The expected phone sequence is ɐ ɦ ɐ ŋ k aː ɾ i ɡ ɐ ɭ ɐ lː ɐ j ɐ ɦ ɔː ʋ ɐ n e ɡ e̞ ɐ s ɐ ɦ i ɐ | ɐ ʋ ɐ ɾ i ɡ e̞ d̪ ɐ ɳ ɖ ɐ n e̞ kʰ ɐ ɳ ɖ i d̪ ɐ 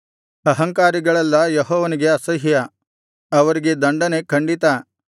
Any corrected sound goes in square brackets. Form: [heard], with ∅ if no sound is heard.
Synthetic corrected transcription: ɐ ɦ ɐ ŋ k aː ɾ i ɡ ɐ ɭ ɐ lː ɐ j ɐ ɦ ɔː ʋ ɐ n [i] ɡ e̞ ɐ s ɐ ɦ [j] ɐ | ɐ ʋ ɐ ɾ i ɡ e̞ d̪ ɐ ɳ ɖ ɐ n e̞ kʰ ɐ ɳ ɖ i [t̪] ɐ